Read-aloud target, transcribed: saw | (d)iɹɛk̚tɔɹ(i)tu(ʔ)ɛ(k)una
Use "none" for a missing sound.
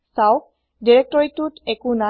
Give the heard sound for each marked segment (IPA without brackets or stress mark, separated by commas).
d, i, t, k